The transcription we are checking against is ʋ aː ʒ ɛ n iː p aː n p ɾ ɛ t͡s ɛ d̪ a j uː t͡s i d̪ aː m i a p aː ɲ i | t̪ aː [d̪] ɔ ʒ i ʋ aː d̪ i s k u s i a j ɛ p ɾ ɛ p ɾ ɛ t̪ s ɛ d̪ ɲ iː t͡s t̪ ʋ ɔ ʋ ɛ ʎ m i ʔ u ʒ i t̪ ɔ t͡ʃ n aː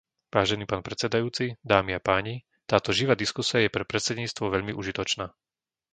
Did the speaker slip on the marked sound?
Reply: yes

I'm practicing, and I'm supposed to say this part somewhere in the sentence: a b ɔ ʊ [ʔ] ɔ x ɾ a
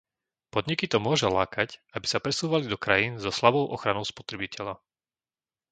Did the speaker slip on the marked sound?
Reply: no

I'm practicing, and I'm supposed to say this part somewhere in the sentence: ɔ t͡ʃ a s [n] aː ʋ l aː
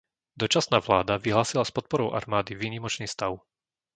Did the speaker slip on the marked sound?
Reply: no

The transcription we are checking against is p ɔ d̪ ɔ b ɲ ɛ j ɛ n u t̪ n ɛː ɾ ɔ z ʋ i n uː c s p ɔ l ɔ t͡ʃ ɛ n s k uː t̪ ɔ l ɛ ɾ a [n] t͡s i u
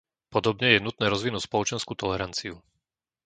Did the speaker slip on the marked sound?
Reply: no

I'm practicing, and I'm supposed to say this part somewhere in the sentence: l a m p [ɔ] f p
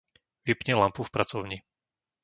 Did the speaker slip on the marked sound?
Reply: yes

